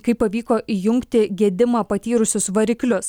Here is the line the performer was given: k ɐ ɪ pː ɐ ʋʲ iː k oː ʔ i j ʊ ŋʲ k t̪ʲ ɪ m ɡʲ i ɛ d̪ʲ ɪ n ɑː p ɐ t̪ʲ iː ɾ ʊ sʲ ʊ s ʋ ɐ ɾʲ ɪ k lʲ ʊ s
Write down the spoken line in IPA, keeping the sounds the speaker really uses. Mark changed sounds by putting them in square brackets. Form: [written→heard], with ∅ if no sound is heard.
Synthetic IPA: k ɐ ɪ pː ɐ ʋʲ iː k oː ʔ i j ʊ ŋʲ k t̪ʲ ɪ [m→∅] ɡʲ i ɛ d̪ʲ ɪ [n→m] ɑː p ɐ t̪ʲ iː ɾ ʊ sʲ ʊ s ʋ ɐ ɾʲ ɪ k lʲ ʊ s